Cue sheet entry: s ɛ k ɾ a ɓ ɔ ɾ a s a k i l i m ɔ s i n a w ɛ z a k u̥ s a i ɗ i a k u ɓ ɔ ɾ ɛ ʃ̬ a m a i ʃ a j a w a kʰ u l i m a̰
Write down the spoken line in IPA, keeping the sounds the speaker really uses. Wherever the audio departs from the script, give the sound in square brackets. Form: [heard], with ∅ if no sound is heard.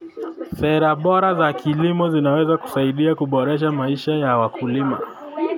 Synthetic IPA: s ɛ [∅] ɾ a ɓ ɔ ɾ a [z] a k i l i m ɔ [z] i n a w ɛ z a k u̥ s a i ɗ i a k u ɓ ɔ ɾ ɛ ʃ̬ a m a i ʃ a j a w a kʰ u l i m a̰